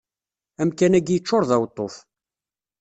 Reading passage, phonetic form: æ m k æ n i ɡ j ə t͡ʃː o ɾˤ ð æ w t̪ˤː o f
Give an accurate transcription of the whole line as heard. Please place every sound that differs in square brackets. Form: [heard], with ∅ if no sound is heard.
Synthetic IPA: æ m k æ n [æ] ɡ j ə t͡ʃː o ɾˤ ð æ w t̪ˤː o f